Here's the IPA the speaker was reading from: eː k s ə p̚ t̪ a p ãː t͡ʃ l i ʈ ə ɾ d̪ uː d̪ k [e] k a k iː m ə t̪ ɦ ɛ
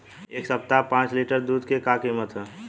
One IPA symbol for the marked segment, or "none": e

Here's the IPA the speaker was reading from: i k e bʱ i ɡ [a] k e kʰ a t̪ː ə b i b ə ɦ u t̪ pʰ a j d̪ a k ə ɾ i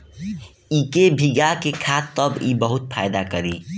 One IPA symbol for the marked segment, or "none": a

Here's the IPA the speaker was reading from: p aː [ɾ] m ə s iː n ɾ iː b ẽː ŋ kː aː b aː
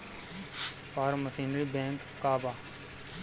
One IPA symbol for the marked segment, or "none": ɾ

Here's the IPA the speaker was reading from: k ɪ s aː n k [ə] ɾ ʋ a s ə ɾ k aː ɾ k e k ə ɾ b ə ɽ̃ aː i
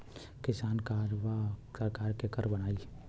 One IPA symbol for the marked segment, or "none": a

